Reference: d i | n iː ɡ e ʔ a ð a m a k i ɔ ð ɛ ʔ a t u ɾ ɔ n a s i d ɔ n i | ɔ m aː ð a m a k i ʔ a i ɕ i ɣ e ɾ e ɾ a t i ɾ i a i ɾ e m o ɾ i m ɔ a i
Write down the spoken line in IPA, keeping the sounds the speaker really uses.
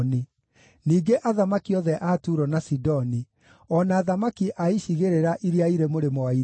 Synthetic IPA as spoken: n i | n iː ɡ e ʔ a ð a m a k i ɔ ð ɛ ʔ a t u ɾ ɔ n a s i d ɔ n i | ɔ n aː ð a m a k i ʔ a i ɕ i ɣ e ɾ e ɾ a ʔ i ɾ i a i ɾ e m o ɾ e m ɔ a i